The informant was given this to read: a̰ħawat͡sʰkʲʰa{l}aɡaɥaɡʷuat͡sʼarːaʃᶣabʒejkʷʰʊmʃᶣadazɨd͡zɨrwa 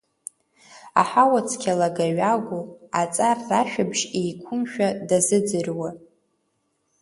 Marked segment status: correct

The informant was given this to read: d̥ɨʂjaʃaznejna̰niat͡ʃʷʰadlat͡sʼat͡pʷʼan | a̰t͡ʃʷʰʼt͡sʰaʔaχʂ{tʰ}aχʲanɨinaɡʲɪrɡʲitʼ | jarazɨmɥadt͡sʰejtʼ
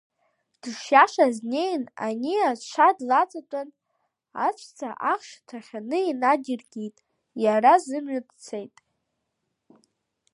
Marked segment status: correct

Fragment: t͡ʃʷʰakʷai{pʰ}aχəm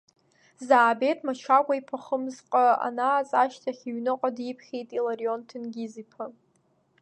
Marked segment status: correct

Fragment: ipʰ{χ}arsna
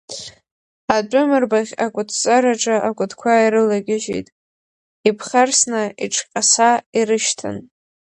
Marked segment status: correct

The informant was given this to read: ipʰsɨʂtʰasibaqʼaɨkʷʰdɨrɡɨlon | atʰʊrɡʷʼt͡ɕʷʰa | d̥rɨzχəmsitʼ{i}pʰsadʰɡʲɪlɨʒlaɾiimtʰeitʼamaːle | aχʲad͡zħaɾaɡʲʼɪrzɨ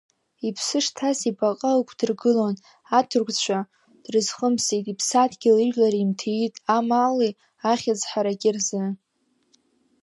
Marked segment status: correct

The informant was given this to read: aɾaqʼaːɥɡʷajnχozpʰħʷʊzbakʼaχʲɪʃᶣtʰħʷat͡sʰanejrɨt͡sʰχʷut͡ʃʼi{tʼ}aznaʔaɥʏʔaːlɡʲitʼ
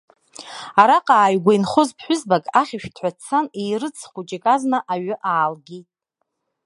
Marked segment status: incorrect: kʼ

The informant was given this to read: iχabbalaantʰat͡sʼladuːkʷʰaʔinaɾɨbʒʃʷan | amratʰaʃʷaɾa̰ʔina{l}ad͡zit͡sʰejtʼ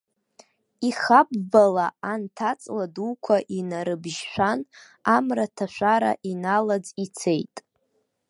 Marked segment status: correct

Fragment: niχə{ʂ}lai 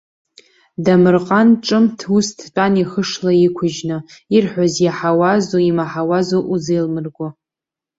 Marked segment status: correct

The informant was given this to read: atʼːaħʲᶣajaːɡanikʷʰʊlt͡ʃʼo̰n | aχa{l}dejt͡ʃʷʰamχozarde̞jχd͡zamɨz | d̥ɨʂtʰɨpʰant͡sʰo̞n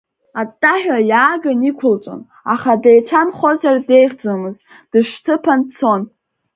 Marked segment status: incorrect: none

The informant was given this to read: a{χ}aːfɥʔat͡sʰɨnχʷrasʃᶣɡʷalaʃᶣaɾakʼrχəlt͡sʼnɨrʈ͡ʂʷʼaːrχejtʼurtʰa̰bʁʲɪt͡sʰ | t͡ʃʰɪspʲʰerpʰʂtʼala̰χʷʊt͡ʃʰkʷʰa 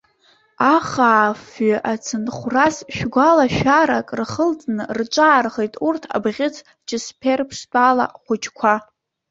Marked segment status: correct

